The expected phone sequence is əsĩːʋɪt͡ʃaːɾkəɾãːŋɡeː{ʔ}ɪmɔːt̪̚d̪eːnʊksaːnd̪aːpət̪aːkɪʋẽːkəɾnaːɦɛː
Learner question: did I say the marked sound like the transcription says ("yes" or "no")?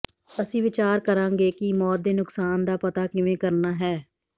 no